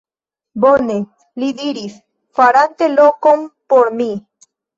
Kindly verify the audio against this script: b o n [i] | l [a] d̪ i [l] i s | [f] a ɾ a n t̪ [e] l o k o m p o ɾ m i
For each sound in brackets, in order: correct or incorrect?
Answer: incorrect: e, incorrect: i, incorrect: ɾ, correct, correct

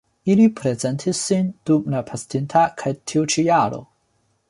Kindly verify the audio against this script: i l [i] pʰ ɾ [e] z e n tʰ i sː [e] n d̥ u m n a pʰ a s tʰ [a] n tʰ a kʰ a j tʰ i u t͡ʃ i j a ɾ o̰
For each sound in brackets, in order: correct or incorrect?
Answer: correct, correct, incorrect: i, incorrect: i

